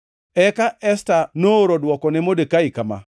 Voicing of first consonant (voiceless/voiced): voiceless